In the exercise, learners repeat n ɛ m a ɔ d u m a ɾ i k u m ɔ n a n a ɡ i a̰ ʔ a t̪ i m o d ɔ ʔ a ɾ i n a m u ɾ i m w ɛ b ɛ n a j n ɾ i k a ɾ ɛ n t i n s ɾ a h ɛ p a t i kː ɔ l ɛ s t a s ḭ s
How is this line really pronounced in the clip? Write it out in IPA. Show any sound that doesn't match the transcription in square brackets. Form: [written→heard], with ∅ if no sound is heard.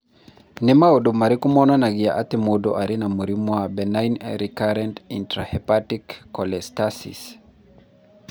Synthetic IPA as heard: n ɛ m a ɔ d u m a ɾ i k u m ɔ n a n a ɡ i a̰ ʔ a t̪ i m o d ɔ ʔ a ɾ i n a m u ɾ i m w [ɛ→a] b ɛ n a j n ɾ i k a ɾ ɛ n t i n [s→t] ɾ a h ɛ p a t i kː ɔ l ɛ s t a s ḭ s